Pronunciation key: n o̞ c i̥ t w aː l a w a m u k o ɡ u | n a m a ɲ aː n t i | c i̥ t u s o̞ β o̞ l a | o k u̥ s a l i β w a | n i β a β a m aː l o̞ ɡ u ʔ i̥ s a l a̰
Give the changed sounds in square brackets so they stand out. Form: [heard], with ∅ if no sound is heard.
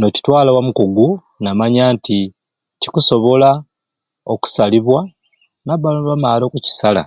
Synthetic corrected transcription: n o̞ c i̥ t w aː l a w a m u k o ɡ u | n a m a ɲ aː n t i | c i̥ [k] u s o̞ β o̞ l a | o k u̥ s a l i β w a | n [a] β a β a m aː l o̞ [k] u [c] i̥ s a l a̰